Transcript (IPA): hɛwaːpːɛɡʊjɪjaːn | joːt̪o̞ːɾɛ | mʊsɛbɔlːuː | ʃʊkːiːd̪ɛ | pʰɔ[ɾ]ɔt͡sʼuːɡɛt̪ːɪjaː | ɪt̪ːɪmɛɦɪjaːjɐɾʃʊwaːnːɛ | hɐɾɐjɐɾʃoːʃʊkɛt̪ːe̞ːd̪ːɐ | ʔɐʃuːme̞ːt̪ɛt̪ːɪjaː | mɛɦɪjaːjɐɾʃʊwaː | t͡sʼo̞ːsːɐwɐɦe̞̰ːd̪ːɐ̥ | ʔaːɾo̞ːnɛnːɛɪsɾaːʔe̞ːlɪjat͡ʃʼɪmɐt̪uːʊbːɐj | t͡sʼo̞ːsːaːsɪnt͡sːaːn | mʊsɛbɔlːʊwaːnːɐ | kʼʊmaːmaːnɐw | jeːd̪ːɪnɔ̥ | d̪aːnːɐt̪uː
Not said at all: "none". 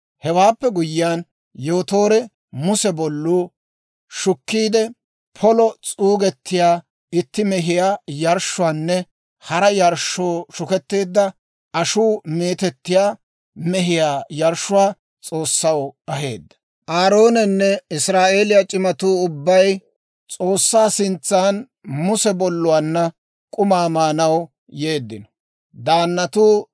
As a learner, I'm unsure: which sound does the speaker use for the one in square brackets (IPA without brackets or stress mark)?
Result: l